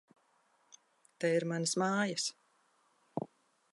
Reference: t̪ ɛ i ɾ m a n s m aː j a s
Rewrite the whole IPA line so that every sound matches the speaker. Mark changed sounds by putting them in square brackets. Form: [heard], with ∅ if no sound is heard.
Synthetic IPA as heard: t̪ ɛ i ɾ m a n s m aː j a s